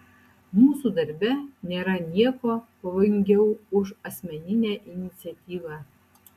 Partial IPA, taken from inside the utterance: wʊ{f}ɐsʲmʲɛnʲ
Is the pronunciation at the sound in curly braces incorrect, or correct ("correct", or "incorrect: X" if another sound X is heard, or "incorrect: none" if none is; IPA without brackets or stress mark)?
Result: incorrect: ʃ